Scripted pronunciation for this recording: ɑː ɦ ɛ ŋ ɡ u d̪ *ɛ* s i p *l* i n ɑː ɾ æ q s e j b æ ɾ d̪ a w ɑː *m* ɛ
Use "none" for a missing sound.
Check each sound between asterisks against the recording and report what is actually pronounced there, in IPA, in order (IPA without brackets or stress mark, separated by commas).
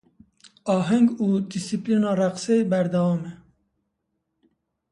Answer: i, l, m